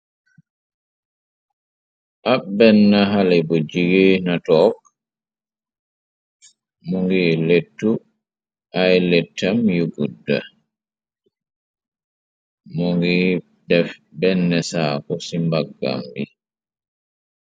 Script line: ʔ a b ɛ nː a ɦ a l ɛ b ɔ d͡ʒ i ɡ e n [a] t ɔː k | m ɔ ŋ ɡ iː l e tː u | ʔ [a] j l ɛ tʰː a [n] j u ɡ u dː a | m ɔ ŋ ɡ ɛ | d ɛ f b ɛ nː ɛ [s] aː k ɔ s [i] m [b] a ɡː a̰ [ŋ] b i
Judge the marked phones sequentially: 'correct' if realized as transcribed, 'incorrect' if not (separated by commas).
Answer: correct, correct, incorrect, correct, correct, correct, incorrect